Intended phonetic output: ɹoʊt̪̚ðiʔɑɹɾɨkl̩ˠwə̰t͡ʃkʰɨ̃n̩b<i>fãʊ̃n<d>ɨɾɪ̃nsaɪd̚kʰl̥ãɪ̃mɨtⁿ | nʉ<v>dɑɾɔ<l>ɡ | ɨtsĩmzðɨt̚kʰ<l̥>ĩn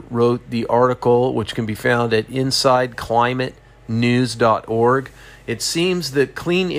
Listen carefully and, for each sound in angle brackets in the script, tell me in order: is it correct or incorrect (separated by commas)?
correct, correct, incorrect, incorrect, correct